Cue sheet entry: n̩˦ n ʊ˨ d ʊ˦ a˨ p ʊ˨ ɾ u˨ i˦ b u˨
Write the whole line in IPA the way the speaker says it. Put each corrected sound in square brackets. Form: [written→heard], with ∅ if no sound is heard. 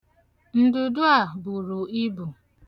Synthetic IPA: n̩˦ [n→d] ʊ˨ d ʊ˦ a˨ [p→b] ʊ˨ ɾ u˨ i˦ b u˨